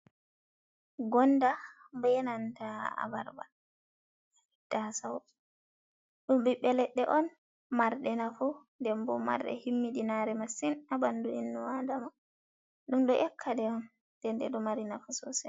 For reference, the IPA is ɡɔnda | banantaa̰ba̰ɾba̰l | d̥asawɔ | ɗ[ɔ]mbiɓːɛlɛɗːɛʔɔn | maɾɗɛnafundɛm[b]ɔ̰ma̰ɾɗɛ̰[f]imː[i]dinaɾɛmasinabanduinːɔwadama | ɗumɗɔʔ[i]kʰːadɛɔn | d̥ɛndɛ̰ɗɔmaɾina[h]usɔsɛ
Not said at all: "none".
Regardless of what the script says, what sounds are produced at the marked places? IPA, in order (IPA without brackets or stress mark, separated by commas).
u, b, h, i, ɛ, f